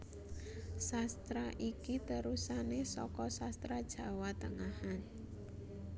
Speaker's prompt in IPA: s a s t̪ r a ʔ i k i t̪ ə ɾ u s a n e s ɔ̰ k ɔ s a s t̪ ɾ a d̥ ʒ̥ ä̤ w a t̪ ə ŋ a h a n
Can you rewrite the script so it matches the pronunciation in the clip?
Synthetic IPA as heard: s a s t̪ ɾ a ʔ i k i t̪ ə ɾ u s a n e s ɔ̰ k ɔ s a s t̪ ɾ a d̥ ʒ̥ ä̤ w a t̪ ə ŋ a h a n